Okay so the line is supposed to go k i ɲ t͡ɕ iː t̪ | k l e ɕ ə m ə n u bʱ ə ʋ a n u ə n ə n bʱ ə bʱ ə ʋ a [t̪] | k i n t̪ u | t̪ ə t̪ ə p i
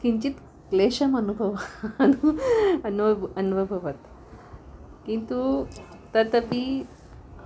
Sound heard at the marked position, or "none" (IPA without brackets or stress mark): t̪